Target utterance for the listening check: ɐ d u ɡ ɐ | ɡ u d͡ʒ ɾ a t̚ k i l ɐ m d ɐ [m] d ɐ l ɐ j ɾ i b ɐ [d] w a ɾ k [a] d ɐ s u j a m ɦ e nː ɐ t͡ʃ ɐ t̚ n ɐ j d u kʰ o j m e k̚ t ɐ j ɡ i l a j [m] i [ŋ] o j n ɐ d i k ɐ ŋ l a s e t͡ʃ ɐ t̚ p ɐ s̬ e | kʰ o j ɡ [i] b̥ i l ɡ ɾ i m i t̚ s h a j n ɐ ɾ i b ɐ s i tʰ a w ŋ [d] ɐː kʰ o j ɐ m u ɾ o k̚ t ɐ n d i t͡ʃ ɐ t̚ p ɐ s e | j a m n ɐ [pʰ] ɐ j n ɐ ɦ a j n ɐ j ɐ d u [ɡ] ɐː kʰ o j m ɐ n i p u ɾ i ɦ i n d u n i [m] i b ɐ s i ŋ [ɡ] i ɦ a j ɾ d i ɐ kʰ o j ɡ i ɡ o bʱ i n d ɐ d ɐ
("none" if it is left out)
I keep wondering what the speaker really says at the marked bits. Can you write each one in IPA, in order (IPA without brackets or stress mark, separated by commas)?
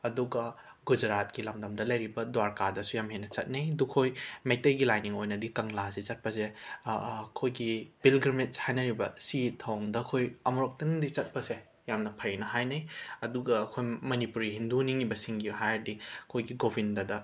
m, d, a, n, ŋ, i, d, pʰ, ɡ, ŋ, ɡ